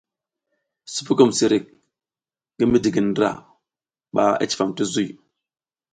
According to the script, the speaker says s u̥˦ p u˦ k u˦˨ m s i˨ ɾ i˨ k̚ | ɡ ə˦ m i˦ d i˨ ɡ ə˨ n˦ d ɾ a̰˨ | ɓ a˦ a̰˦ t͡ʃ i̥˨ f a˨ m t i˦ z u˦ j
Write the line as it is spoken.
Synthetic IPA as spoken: s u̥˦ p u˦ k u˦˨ m s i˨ ɾ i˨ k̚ | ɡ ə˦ m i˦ d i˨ ɡ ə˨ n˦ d ɾ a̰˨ | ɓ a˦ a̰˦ t͡ʃ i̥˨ f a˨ m t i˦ z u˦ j